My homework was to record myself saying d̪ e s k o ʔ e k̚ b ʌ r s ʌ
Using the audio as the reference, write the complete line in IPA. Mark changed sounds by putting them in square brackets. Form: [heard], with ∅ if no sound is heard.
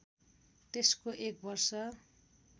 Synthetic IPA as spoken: [t̪] e s k o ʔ e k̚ b ʌ r s ʌ